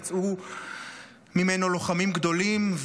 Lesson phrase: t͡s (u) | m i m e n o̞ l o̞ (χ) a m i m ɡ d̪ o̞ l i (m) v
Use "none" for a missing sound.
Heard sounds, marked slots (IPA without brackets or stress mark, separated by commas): u, χ, m